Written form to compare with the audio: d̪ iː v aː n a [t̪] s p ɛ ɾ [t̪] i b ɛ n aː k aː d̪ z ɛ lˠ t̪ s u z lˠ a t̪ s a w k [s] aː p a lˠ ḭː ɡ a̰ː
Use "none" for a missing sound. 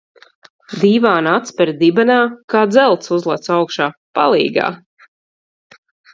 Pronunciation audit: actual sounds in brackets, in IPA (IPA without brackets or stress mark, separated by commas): t̪, d̪, ʃ